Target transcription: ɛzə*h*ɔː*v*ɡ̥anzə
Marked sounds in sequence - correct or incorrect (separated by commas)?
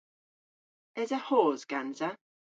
correct, incorrect